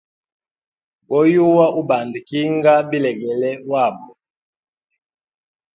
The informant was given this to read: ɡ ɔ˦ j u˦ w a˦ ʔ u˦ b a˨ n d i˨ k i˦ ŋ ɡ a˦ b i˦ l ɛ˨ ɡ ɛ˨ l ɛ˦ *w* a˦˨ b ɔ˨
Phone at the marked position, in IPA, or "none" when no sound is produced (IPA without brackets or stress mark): w